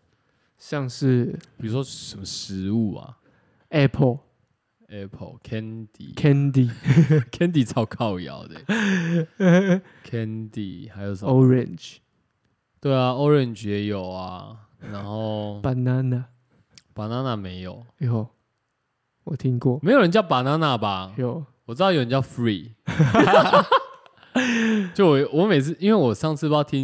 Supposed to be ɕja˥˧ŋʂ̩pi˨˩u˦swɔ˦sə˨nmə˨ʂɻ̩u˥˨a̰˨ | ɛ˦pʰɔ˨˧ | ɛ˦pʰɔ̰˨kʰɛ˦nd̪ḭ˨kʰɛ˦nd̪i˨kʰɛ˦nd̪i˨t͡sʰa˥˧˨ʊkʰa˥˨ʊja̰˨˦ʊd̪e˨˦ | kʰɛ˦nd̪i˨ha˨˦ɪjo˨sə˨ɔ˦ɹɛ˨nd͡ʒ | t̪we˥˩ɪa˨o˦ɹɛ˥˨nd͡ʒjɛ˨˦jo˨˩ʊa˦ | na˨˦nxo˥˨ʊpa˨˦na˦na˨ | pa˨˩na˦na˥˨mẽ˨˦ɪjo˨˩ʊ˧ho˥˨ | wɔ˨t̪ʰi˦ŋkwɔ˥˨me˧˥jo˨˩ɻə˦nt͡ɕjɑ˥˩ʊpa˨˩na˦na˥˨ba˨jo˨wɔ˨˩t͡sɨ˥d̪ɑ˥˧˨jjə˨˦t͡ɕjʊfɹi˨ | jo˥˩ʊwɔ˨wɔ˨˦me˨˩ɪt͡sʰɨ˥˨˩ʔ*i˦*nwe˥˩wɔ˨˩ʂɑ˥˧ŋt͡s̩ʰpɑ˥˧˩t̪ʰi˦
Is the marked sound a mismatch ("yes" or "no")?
no